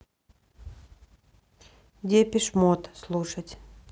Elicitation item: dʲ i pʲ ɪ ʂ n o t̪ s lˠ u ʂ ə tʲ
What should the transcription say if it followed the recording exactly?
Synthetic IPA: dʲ e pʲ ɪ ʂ m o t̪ s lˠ u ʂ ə tʲ